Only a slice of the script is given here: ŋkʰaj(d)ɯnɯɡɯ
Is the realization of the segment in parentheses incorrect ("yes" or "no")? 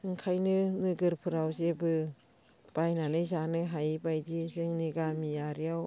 yes